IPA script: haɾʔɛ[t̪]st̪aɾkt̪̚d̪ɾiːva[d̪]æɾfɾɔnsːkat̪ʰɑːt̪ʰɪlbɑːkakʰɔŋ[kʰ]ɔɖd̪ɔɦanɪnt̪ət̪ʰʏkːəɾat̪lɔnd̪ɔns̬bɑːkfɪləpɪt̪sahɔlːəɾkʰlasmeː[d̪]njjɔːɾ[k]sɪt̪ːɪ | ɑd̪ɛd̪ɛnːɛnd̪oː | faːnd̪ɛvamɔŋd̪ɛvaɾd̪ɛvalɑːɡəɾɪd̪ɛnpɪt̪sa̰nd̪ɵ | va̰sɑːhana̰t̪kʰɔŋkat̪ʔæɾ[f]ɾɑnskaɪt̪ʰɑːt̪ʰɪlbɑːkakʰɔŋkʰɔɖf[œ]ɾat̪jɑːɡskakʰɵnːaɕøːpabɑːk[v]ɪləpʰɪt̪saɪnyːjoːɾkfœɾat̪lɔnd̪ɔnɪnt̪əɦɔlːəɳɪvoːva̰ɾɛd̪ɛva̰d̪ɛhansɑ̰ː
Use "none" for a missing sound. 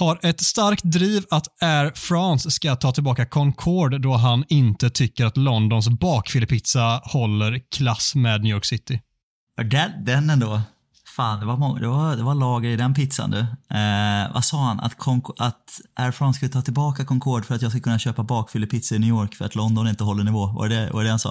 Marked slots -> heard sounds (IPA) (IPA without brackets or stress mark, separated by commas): t̪, t̪, kʰ, d̪, k, f, œ, f